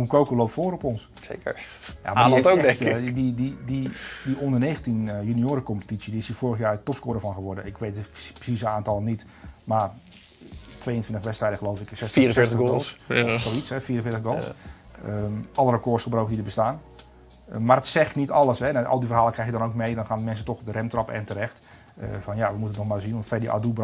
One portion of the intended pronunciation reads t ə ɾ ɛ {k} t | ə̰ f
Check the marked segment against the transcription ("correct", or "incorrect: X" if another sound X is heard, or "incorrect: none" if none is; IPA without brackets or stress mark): incorrect: x